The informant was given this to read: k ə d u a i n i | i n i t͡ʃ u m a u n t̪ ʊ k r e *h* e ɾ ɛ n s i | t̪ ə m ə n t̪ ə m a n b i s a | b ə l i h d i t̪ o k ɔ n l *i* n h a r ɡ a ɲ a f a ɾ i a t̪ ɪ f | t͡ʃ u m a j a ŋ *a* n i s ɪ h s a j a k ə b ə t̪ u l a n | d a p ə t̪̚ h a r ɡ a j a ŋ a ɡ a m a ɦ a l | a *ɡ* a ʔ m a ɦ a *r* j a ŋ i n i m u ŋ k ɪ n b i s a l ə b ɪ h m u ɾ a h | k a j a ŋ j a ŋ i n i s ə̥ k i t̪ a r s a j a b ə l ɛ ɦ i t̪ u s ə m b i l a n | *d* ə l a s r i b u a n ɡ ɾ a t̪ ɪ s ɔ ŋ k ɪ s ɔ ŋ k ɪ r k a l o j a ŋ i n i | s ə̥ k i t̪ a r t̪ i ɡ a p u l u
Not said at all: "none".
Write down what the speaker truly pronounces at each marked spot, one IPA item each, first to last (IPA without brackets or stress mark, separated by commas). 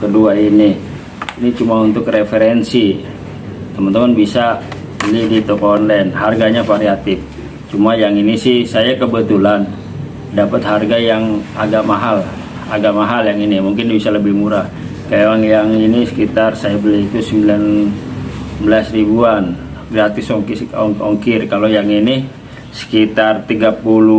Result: f, ɛ, i, ɡ, l, b